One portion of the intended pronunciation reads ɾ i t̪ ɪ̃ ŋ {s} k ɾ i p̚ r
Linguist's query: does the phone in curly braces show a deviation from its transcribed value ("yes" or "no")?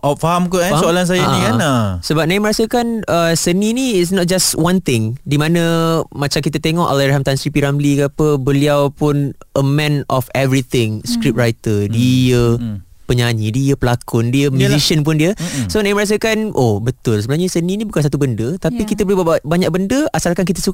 no